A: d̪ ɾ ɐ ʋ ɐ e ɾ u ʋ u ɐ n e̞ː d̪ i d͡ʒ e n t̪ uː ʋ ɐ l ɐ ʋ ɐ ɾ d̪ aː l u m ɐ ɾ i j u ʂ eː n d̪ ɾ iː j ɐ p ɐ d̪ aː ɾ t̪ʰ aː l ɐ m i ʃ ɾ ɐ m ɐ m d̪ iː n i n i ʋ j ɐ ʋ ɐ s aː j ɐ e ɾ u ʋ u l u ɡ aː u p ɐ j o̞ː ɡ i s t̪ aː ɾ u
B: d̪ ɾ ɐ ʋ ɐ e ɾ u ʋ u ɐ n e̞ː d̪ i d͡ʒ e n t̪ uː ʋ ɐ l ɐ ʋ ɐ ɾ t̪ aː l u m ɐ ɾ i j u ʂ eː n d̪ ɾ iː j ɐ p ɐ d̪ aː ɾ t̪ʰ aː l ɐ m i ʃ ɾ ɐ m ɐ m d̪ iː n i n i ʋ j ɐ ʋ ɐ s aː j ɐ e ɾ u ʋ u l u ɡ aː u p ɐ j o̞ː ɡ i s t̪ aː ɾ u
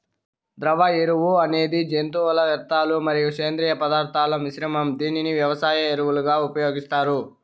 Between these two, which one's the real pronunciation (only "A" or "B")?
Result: B